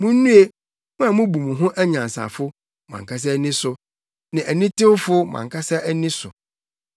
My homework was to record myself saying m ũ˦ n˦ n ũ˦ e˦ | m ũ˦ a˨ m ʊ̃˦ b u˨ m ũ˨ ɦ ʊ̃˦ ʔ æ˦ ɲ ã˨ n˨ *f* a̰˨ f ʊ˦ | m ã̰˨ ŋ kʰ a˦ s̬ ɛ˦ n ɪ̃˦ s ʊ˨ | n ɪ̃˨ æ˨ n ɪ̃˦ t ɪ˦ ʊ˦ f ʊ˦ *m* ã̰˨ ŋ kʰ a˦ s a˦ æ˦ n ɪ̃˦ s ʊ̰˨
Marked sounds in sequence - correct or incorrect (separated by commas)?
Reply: incorrect, correct